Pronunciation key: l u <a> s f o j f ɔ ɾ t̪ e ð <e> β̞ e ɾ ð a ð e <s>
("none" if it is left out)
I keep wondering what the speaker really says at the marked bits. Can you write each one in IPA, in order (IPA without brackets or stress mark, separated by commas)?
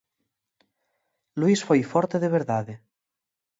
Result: i, e, none